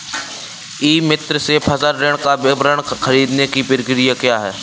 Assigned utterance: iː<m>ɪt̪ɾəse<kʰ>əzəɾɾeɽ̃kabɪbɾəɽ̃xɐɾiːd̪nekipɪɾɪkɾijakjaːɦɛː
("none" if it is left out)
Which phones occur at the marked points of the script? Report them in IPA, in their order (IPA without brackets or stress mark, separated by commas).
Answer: m, pʰ